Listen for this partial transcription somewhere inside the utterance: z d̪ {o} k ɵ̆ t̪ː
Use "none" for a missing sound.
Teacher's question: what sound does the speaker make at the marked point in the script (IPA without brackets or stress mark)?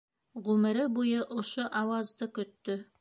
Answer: ɤ